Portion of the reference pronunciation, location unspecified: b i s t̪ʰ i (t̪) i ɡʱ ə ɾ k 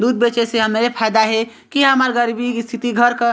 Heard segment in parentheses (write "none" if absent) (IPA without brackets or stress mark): t̪